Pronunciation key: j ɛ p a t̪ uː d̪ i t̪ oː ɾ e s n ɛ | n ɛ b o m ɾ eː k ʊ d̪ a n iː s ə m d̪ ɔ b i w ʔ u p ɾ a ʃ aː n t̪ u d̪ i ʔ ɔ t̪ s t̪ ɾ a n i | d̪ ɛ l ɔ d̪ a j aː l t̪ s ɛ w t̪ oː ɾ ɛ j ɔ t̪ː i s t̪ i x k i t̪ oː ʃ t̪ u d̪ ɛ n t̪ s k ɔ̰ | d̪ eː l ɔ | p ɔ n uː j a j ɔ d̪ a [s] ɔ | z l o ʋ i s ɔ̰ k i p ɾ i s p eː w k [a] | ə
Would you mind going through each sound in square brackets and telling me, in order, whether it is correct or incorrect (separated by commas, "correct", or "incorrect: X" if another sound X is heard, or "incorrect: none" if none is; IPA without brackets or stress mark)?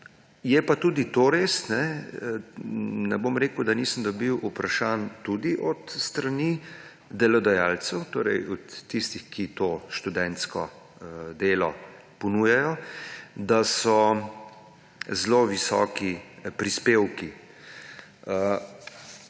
correct, incorrect: i